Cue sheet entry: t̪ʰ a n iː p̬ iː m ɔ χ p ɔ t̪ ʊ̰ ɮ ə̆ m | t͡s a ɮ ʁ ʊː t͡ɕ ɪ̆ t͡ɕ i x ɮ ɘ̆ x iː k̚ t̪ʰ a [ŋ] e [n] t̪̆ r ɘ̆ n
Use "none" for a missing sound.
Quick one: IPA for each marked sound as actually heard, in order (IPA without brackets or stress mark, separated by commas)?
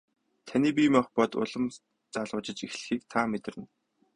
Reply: m, none